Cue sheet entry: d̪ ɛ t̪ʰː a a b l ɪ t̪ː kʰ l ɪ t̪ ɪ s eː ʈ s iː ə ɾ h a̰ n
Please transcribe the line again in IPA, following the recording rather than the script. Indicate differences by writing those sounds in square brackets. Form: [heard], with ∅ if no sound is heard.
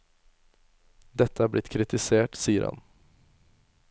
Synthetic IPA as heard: d̪ ɛ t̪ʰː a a b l ɪ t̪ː kʰ [ɾ] ɪ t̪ ɪ s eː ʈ s iː ə ɾ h a̰ n